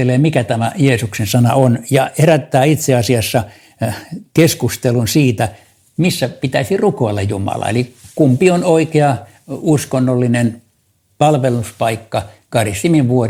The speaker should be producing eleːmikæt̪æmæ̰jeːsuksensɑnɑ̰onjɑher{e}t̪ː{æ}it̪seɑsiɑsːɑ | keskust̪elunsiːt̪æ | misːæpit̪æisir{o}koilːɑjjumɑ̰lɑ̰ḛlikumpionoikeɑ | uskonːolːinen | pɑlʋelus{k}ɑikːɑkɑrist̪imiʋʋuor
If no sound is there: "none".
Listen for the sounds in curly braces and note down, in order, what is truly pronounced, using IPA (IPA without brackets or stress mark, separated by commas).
æ, æː, u, p